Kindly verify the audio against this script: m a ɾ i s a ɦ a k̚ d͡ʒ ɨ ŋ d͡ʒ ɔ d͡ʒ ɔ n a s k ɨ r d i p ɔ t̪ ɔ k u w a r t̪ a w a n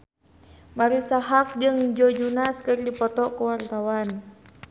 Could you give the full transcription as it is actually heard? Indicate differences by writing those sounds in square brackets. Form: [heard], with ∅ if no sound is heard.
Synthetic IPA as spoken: m a ɾ i s a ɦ a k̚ d͡ʒ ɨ ŋ d͡ʒ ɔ d͡ʒ [u] n a s k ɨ r d i p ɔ t̪ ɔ k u w a r t̪ a w a n

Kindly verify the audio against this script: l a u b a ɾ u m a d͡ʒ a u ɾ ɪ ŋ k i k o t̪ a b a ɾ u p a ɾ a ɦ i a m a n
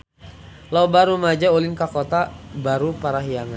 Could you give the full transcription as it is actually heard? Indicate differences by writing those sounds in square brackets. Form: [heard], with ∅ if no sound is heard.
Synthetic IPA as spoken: l a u b a ɾ u m a d͡ʒ a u [l] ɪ ŋ k [a] k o t̪ a b a ɾ u p a ɾ a ɦ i a [ŋ] a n

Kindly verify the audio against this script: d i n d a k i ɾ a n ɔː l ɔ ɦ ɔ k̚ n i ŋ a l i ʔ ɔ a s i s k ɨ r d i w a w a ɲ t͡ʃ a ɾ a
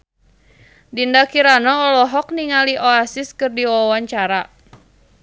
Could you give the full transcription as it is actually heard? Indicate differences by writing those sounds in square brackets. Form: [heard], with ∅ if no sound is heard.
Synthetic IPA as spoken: d i n d a k i ɾ a n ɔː l ɔ ɦ ɔ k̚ n i ŋ a l i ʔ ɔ a s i s k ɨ r d i w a w a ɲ t͡ʃ a ɾ a

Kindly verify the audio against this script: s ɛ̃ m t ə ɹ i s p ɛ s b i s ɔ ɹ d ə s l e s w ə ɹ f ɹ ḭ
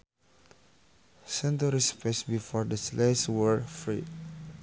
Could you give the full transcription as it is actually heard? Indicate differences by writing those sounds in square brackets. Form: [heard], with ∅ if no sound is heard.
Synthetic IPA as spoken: s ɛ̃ [n] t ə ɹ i s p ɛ s b i [f] ɔ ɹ d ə s l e s w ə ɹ f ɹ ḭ

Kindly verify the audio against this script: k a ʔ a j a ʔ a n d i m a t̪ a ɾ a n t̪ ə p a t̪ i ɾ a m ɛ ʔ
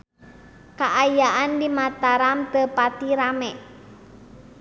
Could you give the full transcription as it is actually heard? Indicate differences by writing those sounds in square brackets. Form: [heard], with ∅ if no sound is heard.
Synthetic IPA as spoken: k a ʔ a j a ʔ a n d i m a t̪ a ɾ a [m] t̪ ə p a t̪ i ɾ a m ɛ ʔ

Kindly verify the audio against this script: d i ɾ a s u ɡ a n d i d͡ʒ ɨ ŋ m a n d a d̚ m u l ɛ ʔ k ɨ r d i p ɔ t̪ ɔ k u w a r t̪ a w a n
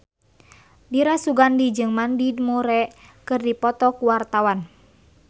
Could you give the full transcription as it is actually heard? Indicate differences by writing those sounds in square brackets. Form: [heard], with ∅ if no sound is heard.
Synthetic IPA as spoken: d i ɾ a s u ɡ a n d i d͡ʒ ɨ ŋ m a n d [i] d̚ m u [ɾ] ɛ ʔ k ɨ r d i p ɔ t̪ ɔ k u w a r t̪ a w a n

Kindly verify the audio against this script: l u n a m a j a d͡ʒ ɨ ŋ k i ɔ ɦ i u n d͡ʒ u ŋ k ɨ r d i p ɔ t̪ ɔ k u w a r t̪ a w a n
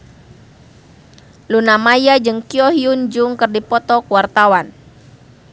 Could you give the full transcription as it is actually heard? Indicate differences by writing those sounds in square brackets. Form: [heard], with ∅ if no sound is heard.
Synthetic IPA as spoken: l u n a m a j a d͡ʒ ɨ ŋ k i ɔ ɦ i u n d͡ʒ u ŋ k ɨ r d i p ɔ t̪ ɔ k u w a r t̪ a w a n

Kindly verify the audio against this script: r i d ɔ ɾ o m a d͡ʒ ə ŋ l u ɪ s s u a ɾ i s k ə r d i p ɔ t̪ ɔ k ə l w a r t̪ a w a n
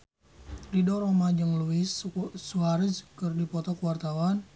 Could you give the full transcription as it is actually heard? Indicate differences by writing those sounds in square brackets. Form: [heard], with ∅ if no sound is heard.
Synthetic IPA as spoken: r i d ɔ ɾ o m a d͡ʒ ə ŋ l u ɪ s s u a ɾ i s k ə r d i p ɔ t̪ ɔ k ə [∅] w a r t̪ a w a n

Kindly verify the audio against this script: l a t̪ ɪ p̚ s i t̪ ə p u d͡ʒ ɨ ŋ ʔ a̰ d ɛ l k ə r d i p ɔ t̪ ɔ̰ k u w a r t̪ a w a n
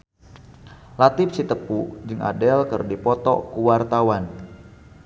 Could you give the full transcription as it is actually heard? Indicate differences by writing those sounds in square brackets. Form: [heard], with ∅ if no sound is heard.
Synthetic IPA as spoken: l a t̪ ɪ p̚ s i t̪ ə p u d͡ʒ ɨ ŋ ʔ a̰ d ɛ l k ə r d i p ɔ t̪ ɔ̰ k u w a r t̪ a w a n

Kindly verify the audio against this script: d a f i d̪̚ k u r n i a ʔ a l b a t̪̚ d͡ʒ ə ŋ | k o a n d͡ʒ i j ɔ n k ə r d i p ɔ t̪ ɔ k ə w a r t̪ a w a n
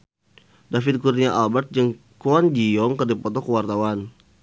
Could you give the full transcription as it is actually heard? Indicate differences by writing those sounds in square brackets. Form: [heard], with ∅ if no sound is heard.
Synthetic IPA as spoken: d a f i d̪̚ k u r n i a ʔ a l b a t̪̚ d͡ʒ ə ŋ | k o a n d͡ʒ i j ɔ [ŋ] k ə r d i p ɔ t̪ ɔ k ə w a r t̪ a w a n

